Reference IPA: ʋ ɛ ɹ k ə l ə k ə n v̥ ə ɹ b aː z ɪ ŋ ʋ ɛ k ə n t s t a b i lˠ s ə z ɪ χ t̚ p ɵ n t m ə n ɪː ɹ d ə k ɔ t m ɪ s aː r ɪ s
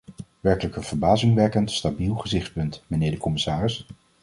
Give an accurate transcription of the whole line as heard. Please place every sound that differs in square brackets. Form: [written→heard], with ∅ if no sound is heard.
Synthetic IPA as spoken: ʋ ɛ ɹ k ə l ə k ə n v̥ ə ɹ b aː z ɪ ŋ ʋ ɛ k ə n t s t a b i lˠ [s→χ] ə z ɪ χ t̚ p ɵ n t m ə n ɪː ɹ d ə k ɔ [t→∅] m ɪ s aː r ɪ s